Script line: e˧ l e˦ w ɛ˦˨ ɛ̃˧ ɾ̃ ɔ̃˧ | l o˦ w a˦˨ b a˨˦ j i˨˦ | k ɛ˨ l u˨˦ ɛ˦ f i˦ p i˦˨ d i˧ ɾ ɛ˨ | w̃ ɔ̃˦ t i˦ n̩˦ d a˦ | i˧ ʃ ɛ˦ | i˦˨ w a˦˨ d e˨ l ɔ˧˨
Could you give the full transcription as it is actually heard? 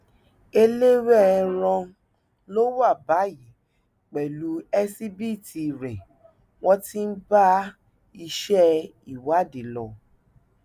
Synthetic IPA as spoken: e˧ l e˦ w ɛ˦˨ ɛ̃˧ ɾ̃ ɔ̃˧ | l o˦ w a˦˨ b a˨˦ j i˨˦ | k͡p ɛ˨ l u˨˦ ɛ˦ s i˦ b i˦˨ t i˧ ɾ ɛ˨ | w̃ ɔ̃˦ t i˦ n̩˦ b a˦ | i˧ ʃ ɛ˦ | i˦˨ w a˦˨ d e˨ l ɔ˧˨